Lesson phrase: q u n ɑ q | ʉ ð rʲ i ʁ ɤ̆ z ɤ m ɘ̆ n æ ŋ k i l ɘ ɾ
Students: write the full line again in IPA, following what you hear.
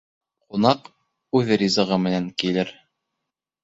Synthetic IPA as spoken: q u n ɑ q | ʉ ð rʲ i z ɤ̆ ʁ ɤ m ɘ̆ n æ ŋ k i l ɘ ɾ